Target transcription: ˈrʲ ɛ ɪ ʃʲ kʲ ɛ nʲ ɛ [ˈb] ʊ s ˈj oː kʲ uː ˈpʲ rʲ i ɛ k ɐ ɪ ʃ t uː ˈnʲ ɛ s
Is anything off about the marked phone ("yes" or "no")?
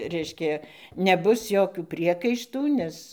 no